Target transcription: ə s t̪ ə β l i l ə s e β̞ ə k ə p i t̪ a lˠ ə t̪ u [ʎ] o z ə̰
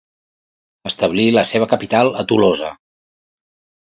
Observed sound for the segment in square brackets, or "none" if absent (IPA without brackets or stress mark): l